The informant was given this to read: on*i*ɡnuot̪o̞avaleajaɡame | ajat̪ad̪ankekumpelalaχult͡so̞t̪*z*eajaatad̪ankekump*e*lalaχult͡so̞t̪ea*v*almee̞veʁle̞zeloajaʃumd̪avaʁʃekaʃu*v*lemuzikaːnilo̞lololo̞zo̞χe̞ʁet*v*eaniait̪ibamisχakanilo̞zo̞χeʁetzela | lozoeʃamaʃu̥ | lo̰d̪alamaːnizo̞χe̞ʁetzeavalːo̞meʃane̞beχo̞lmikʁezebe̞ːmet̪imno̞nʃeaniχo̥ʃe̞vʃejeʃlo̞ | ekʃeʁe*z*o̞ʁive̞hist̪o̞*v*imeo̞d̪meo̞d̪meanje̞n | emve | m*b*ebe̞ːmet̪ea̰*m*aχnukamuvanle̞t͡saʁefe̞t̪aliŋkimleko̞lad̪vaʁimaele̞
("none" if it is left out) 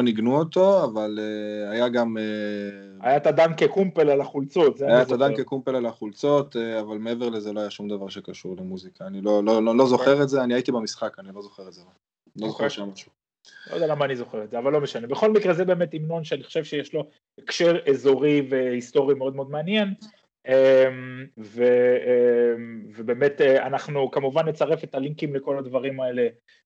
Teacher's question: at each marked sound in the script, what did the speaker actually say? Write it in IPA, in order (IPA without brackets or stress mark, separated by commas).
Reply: i, z, e, v, ʁ, z, z, ʁ, v, n